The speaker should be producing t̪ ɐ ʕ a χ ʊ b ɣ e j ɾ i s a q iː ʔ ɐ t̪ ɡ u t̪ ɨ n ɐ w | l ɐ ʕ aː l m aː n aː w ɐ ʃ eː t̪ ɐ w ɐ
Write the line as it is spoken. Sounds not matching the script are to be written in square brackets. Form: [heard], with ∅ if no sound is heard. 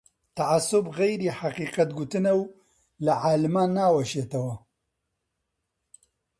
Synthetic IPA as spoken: t̪ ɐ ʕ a [s] ʊ b ɣ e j ɾ i [ħ] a q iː [q] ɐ t̪ ɡ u t̪ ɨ n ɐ w | l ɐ ʕ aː l m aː n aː w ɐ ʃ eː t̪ ɐ w ɐ